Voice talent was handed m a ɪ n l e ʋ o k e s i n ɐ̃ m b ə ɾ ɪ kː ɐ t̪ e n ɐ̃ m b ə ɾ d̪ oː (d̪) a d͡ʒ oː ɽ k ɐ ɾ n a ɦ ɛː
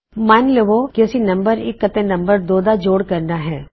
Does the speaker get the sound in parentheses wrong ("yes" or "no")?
no